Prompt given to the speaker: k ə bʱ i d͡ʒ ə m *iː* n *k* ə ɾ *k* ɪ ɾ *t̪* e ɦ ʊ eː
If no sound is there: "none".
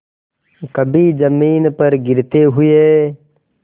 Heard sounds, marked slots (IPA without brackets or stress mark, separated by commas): iː, p, ɡ, t̪